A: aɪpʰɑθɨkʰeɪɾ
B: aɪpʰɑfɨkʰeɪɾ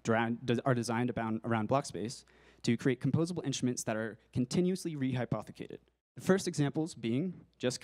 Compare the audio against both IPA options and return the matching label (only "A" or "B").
A